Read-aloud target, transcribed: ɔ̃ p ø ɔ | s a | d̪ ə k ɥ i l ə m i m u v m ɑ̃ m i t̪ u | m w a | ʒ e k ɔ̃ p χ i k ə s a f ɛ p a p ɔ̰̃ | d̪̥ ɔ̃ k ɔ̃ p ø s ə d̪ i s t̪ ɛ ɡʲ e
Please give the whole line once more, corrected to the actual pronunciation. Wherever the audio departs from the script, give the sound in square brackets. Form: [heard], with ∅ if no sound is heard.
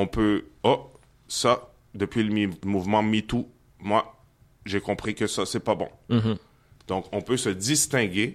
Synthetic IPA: ɔ̃ p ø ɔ | s a | d̪ ə [p] ɥ i l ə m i m u v m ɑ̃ m i t̪ u | m w a | ʒ e k ɔ̃ p χ i k ə s a [s] ɛ p a [b] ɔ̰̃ | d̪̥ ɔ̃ k ɔ̃ p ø s ə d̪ i s t̪ [ɛ̃] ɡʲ e